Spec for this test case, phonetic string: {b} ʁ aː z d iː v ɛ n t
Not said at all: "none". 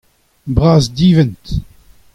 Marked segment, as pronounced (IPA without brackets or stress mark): b